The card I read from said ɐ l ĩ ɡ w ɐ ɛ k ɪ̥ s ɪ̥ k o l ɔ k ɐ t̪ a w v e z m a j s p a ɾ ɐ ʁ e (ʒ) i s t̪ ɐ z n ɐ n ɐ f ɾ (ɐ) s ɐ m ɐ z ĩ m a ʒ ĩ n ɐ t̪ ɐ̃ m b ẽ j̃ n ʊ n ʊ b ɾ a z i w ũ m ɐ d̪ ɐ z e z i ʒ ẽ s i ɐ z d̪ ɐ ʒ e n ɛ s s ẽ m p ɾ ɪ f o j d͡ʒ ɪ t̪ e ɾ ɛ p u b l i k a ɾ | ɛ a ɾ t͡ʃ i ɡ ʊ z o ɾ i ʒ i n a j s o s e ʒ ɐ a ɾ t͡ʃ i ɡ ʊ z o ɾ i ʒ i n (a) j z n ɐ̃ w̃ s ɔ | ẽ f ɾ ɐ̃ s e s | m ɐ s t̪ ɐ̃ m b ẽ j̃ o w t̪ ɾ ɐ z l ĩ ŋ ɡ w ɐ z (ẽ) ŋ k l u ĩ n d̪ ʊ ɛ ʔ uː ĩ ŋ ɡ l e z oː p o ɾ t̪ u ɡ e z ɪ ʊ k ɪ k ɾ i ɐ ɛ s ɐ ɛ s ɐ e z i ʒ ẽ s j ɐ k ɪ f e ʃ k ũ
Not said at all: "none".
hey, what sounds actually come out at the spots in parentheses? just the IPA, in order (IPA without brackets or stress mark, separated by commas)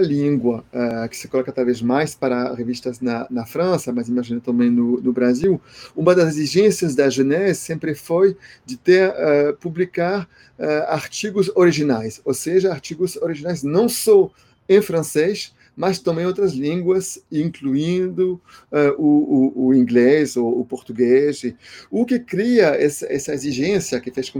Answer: v, ɐ̃, a, ĩ